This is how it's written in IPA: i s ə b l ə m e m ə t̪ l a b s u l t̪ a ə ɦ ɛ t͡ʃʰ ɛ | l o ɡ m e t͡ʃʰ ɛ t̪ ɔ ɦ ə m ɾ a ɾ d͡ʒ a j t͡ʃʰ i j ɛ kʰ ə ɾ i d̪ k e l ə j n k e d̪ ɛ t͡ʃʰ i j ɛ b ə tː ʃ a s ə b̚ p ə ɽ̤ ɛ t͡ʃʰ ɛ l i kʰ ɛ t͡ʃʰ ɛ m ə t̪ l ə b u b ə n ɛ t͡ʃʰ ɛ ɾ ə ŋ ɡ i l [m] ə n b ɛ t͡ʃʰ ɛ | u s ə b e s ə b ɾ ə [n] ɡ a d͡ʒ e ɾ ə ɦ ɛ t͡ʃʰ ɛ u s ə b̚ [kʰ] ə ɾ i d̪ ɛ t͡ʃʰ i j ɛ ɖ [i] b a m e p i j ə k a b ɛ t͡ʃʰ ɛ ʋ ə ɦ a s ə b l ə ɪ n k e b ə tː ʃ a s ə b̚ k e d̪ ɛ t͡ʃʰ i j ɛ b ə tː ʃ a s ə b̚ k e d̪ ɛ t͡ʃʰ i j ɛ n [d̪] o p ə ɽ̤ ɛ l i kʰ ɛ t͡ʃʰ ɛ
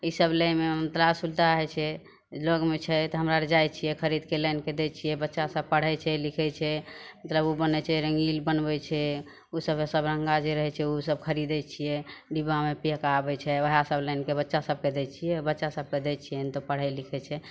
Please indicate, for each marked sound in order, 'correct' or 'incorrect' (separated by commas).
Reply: incorrect, incorrect, correct, correct, incorrect